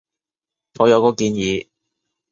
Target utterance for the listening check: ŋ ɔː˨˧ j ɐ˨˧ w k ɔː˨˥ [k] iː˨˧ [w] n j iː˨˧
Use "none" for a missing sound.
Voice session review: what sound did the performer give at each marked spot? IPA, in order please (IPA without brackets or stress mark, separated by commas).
k, none